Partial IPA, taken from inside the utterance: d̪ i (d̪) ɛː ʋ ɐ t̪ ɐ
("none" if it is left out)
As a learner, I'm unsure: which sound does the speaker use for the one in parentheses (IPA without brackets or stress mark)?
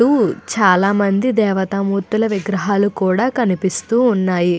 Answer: d̪